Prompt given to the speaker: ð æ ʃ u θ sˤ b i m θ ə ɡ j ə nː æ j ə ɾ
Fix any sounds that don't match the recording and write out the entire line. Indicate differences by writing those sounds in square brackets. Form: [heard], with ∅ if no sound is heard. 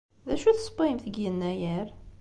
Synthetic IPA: ð æ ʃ u θ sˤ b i m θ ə ɡ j ə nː æ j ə ɾ

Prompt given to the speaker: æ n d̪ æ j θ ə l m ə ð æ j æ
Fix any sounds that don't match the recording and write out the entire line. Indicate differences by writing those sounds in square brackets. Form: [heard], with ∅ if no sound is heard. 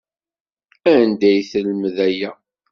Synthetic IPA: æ n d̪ æ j θ ə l m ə ð æ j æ

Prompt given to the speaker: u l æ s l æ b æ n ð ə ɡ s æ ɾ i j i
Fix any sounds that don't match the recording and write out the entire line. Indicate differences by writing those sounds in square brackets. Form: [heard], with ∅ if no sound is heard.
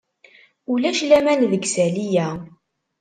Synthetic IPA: u l æ [ʃ] l æ [m] æ n ð ə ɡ s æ [l] i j [æ]

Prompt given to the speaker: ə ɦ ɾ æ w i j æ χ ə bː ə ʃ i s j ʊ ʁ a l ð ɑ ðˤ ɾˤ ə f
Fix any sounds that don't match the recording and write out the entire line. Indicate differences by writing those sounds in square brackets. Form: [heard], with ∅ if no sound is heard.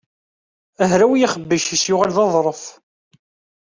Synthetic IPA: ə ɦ ɾ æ w i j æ χ ə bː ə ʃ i s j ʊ ʁ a l ð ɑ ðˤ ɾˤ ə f

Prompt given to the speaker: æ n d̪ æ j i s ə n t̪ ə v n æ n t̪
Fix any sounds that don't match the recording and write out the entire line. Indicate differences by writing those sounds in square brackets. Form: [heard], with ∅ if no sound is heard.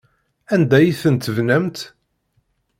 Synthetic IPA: æ n d̪ æ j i [θ] ə n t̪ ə v n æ [m] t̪

